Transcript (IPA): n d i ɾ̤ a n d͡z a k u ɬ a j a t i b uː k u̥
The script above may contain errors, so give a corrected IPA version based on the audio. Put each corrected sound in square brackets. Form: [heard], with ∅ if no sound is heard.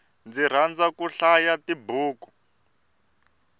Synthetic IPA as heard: n [d͡z] i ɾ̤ a n d͡z a k u ɬ a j a t i b uː k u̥